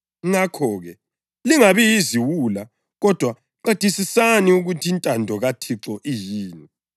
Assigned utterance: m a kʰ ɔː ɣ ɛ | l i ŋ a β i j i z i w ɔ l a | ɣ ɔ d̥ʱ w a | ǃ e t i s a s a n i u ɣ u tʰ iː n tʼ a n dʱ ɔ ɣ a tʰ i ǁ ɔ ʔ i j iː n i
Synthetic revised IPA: ŋ a kʰ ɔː ɣ ɛ | l i ŋ a β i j i z i w u l a | ɣ ɔ d̥ʱ w a | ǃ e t i s i s a n i u ɣ u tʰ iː n tʼ a n dʱ ɔ ɣ a tʰ i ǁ ɔ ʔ i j iː n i